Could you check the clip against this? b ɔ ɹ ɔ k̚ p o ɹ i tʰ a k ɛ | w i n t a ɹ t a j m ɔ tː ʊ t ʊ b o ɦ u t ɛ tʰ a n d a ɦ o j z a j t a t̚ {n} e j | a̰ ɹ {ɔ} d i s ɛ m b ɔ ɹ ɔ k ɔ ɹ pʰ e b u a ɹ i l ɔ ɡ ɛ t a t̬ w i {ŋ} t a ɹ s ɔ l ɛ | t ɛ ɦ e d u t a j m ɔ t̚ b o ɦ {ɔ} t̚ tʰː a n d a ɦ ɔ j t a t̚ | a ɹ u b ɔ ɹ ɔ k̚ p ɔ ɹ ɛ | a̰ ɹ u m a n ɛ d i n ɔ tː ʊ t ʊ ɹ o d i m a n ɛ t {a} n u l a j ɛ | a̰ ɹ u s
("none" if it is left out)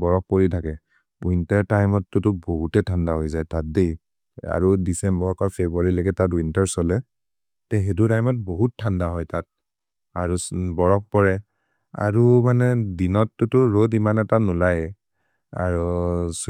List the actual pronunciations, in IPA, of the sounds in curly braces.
d, u, n, u, a

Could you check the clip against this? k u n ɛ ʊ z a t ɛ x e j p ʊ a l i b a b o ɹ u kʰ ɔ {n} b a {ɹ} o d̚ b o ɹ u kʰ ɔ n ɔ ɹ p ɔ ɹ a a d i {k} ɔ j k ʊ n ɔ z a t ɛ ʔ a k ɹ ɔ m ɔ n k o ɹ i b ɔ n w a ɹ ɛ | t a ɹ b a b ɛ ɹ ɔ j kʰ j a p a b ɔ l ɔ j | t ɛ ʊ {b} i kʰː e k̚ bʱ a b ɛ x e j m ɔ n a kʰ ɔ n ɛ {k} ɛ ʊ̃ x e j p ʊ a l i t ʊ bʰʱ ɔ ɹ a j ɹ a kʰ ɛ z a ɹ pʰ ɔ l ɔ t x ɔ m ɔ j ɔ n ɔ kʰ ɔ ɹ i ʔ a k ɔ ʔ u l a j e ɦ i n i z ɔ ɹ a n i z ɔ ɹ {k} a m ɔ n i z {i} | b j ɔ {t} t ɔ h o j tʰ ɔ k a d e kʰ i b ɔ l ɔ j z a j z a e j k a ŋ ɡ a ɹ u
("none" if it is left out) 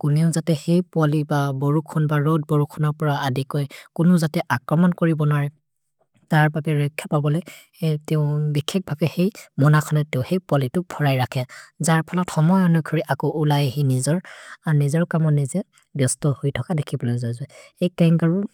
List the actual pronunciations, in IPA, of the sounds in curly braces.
n, ɹ, k, b, t, k, ɛ, s

